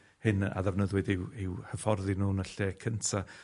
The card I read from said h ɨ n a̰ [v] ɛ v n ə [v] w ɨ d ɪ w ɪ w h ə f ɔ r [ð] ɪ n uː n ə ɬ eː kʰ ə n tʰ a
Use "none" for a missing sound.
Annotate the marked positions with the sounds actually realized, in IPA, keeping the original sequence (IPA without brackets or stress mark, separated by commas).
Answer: ð, ð, ð